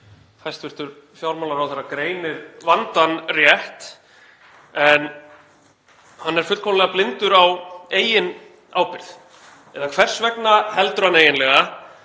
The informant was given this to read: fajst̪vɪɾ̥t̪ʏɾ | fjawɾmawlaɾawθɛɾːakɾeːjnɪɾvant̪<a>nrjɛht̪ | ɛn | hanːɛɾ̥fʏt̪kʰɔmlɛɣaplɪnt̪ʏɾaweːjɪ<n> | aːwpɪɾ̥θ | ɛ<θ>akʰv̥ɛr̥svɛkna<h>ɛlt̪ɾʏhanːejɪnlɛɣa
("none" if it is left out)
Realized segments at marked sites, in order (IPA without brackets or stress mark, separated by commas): a, n, ð, h